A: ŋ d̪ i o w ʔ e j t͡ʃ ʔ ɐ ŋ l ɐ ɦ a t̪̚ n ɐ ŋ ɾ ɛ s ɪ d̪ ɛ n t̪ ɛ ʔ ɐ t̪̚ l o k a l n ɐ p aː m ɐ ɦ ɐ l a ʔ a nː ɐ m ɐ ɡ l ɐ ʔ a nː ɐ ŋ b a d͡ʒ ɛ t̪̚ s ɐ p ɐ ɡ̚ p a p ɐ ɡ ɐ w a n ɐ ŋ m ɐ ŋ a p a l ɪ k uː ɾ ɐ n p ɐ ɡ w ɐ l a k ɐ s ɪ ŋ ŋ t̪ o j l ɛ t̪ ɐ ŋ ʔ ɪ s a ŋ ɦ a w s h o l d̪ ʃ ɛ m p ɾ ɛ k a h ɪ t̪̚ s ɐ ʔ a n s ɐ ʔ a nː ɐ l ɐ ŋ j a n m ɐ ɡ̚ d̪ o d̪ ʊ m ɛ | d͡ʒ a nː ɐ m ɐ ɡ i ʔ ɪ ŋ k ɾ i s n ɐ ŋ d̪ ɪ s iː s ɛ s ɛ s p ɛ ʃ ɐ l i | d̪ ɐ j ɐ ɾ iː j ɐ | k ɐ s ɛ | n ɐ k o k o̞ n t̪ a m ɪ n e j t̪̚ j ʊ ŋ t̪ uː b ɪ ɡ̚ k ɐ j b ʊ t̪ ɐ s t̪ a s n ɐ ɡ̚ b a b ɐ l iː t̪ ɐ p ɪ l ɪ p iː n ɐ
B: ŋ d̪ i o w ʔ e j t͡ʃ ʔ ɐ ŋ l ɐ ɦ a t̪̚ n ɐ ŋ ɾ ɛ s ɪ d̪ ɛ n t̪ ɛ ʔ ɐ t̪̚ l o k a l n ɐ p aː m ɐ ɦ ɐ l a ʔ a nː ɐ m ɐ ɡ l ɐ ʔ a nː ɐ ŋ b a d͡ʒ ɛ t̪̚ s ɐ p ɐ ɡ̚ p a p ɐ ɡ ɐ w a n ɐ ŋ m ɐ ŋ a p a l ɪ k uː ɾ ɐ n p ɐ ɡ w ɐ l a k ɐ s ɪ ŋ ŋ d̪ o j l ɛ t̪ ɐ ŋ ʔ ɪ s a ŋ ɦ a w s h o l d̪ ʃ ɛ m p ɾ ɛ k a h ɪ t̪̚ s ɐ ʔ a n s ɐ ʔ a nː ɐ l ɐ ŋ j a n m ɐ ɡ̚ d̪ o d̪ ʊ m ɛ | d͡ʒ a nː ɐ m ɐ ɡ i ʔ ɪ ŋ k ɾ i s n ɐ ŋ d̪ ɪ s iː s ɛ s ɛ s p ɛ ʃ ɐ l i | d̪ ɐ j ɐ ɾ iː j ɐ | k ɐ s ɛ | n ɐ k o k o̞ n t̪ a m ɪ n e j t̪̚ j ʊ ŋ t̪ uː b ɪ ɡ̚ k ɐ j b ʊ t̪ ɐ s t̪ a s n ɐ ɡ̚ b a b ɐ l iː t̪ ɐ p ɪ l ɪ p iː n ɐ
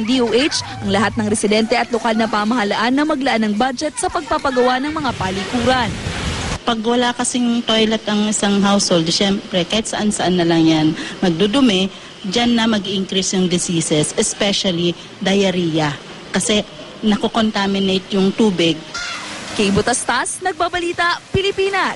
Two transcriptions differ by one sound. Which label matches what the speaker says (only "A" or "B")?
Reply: A